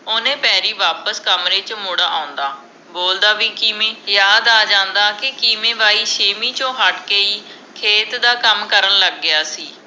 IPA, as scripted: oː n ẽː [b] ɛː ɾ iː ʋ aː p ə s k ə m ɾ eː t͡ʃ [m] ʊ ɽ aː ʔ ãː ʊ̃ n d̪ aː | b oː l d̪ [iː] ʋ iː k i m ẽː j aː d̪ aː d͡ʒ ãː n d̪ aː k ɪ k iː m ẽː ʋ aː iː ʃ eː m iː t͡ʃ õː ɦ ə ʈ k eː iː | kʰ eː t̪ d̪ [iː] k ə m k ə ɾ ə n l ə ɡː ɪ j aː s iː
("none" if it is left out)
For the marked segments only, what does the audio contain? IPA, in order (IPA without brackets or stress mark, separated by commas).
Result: p, m, aː, aː